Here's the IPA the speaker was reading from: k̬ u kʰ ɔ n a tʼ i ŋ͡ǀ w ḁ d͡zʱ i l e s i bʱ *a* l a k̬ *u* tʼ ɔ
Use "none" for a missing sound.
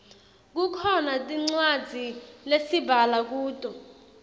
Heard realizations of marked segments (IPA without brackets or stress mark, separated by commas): a, uː